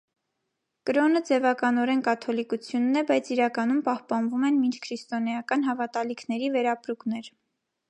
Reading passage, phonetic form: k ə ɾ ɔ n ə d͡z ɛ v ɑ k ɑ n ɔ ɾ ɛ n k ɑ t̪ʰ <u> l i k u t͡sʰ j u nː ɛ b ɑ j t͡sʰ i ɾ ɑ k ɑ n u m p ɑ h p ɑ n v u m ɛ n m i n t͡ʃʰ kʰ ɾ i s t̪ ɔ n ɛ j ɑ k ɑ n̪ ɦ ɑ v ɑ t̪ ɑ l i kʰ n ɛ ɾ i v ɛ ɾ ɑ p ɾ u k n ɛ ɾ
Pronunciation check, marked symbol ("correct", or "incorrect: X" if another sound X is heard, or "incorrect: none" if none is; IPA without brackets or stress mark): incorrect: ɔ